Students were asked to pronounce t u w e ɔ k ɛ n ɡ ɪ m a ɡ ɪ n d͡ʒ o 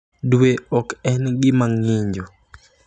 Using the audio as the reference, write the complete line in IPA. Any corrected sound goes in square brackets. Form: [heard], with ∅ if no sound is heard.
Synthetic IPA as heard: [d] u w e ɔ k ɛ n ɡ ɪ m a [ŋ] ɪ [ɲ] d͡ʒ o